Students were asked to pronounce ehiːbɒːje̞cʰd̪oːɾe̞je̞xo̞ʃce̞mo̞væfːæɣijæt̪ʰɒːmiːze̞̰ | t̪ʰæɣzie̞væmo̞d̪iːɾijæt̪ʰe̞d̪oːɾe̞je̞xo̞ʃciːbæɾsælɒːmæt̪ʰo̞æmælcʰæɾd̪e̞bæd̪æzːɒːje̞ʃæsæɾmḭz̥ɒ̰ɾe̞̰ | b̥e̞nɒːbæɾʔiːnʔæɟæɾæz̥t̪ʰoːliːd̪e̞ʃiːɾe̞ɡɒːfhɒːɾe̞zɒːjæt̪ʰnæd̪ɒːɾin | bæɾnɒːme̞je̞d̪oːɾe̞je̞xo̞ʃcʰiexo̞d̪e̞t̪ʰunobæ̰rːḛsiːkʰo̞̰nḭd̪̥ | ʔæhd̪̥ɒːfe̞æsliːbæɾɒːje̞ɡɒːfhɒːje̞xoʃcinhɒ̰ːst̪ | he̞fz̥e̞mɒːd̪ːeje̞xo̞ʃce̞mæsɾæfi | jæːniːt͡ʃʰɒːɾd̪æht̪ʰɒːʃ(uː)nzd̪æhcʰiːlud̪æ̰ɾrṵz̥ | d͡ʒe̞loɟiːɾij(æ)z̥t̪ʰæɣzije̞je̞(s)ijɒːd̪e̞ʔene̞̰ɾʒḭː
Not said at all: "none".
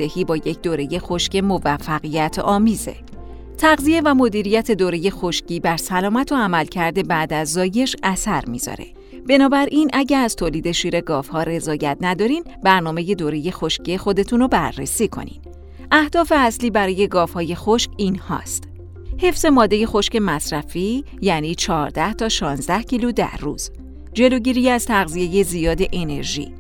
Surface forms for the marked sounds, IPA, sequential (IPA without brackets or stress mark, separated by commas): ɒː, æ, z